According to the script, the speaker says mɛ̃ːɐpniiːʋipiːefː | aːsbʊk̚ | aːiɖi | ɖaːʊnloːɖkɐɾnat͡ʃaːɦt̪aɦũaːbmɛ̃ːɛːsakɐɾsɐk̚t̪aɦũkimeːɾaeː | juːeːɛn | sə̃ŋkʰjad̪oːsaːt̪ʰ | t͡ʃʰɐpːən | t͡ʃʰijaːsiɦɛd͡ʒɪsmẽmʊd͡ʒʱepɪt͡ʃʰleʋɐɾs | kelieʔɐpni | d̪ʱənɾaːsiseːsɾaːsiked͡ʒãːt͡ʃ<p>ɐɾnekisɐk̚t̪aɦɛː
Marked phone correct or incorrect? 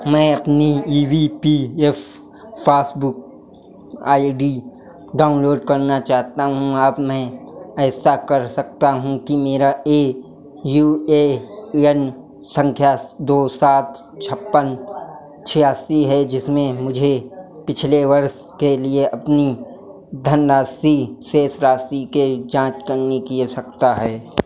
incorrect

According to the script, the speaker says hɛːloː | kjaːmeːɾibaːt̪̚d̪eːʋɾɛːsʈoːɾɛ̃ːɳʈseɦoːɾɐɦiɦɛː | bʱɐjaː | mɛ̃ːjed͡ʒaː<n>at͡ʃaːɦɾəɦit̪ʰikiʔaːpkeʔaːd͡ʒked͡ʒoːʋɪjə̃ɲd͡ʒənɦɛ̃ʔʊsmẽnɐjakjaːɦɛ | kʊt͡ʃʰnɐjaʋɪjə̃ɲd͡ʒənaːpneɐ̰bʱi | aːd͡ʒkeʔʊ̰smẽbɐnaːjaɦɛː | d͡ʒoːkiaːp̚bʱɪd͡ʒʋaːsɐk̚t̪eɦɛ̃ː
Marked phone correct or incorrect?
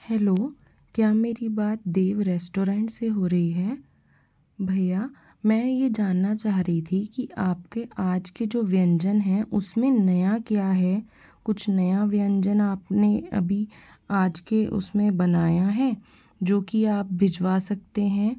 incorrect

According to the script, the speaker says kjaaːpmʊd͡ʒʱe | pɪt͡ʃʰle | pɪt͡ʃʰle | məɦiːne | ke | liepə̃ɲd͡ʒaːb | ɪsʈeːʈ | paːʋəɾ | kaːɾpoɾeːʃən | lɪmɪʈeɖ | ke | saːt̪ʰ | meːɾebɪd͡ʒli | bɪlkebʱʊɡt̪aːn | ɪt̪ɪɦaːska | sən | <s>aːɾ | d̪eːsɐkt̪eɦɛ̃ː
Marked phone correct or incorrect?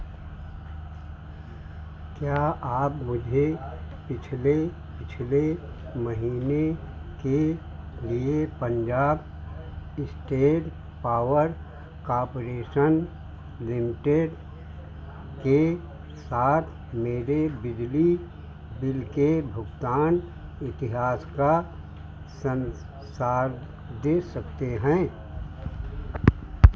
correct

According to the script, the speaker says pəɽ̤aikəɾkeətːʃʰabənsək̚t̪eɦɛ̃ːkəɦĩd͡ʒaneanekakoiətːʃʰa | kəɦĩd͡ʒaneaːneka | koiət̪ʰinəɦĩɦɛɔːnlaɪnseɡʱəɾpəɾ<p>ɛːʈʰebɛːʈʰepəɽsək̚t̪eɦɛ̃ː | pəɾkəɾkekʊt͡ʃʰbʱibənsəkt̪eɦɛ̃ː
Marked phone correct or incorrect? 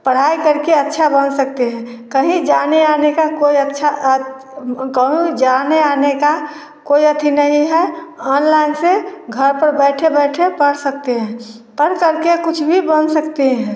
incorrect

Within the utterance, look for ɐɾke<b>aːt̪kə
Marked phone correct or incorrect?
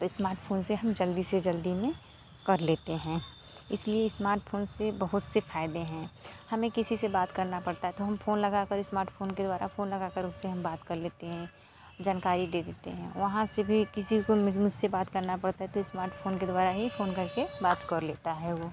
correct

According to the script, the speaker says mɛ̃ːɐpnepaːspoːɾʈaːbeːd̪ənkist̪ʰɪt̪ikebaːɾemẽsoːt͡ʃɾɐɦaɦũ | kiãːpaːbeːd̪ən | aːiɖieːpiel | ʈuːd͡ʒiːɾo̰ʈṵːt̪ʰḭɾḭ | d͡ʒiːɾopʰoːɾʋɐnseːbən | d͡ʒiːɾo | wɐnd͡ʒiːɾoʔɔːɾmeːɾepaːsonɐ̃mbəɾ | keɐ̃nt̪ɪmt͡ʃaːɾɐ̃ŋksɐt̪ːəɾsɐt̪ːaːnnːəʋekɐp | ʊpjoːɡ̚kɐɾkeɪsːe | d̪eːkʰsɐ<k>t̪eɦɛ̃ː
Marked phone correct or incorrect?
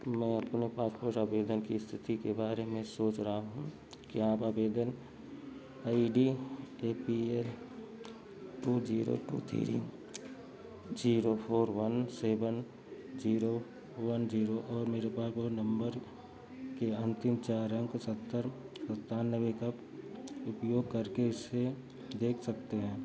correct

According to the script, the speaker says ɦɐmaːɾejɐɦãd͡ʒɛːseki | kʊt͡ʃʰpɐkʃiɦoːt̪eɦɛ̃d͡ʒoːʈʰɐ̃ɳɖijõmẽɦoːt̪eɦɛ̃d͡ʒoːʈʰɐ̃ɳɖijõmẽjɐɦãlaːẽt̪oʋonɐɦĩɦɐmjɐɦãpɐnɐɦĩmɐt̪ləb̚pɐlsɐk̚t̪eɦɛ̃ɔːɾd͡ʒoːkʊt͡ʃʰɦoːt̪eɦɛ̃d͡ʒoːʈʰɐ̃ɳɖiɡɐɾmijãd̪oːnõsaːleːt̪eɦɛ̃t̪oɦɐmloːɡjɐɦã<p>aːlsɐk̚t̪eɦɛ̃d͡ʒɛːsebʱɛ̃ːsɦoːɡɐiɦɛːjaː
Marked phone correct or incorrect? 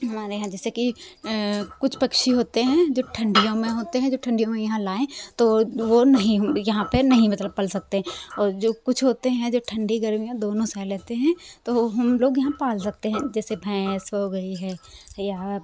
correct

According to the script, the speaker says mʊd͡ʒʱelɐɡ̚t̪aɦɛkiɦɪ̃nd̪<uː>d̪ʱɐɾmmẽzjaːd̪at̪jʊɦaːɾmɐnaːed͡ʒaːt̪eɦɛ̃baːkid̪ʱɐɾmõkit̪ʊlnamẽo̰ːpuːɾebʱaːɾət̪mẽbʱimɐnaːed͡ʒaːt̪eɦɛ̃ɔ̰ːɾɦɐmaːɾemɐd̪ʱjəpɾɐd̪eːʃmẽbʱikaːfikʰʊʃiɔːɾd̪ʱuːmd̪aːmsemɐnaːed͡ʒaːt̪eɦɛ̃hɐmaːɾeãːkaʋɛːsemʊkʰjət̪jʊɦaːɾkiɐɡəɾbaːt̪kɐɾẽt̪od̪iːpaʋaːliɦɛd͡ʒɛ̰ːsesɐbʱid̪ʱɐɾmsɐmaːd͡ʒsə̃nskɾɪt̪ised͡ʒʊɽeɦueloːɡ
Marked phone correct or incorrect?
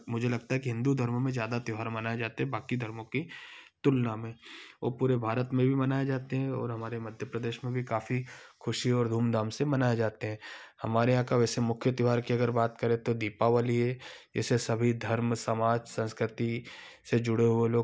incorrect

